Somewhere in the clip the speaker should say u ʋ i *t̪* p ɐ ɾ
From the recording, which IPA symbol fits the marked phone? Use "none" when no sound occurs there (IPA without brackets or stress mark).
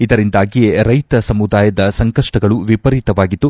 none